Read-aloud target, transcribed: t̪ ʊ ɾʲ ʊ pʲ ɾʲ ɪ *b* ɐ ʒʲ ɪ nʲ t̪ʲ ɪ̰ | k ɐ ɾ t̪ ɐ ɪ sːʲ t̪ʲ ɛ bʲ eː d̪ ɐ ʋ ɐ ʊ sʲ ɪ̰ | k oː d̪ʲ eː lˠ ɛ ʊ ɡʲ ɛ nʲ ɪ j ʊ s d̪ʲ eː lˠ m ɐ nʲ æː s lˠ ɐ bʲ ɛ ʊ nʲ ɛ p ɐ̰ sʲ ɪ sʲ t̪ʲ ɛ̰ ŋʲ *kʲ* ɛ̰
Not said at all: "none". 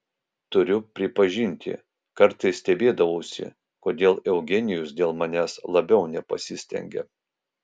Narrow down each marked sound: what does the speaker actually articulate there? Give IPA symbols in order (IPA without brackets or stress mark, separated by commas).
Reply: p, ɡʲ